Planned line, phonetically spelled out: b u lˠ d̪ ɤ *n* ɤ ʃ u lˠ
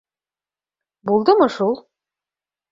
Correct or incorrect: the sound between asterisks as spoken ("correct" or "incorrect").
incorrect